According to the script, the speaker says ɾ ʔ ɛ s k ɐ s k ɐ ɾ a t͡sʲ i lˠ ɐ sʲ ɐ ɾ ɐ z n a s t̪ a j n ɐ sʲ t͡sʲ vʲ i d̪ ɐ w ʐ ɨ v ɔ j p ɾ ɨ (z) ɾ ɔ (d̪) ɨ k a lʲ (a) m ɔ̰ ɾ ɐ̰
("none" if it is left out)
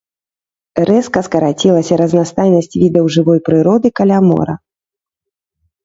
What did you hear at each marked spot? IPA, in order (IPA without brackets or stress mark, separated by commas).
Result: none, d̪, a